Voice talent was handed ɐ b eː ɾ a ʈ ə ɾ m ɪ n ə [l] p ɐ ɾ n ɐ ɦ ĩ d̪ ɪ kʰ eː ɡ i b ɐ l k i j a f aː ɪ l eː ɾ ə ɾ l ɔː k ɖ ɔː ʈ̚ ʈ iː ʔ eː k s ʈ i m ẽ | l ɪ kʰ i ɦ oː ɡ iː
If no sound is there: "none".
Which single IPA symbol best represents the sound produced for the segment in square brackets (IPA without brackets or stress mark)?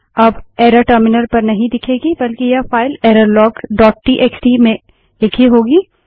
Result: ɾ